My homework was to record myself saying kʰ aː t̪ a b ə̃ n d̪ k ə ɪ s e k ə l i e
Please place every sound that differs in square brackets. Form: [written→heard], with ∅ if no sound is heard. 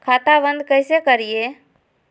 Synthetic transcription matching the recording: kʰ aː t̪ a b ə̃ n d̪ k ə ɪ s e k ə [l→ɾ] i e